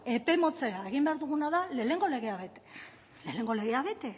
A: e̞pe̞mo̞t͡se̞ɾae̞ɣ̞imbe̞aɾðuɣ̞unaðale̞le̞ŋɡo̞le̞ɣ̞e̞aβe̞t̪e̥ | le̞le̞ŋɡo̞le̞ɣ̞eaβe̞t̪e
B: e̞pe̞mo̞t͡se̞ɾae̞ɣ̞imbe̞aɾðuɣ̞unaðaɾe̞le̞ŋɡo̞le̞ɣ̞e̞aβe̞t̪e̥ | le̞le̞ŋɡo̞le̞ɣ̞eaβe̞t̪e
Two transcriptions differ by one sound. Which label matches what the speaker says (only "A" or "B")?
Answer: A